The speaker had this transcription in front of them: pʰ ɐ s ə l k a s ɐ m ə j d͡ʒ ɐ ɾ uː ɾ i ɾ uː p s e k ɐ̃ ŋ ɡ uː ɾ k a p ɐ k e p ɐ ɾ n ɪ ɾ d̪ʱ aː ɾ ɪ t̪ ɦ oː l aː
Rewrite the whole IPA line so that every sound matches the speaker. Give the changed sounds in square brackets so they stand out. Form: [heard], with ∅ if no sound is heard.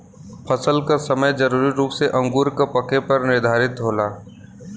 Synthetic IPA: pʰ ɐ s ə l k a s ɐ m ə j d͡ʒ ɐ ɾ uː ɾ i ɾ uː p s e [ʔ] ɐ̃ ŋ ɡ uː ɾ k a p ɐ k e p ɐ ɾ n ɪ ɾ d̪ʱ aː ɾ ɪ t̪ ɦ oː l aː